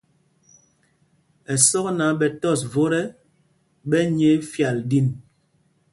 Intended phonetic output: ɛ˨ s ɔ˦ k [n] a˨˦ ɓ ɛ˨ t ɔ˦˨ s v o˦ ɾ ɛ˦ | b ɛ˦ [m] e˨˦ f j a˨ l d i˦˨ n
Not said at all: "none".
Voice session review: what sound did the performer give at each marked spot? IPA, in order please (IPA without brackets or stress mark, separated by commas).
n, ɲ